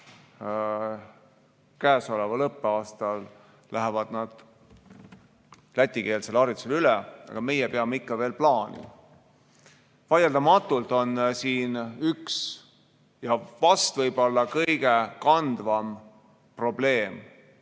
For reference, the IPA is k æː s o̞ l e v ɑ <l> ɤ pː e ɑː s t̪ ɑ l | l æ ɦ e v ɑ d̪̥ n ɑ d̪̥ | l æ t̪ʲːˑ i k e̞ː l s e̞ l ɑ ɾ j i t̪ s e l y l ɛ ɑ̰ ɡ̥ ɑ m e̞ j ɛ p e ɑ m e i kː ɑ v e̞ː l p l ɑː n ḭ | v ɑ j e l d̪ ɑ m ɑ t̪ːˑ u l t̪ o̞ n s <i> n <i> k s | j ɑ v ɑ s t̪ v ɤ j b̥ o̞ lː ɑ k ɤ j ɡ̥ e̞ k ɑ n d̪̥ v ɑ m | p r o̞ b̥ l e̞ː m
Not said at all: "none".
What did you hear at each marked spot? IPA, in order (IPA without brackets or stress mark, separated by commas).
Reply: l, iː, y